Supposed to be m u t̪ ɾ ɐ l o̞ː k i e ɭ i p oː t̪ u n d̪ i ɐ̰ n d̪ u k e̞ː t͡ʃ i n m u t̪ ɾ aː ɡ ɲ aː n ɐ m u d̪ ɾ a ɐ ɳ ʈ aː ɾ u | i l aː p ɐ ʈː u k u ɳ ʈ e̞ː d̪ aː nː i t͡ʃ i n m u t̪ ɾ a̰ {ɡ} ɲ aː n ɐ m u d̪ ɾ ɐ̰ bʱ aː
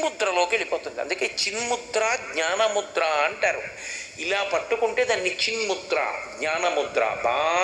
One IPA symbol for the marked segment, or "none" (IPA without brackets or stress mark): ɡ